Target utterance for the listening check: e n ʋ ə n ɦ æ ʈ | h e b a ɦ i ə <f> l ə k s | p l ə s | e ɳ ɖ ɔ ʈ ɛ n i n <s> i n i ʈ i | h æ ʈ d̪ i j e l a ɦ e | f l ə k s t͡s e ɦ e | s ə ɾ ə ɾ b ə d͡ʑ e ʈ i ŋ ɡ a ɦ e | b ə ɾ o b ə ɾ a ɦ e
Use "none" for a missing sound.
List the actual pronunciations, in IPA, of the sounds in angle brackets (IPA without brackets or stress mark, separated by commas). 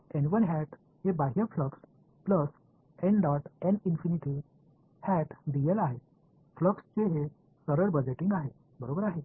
f, f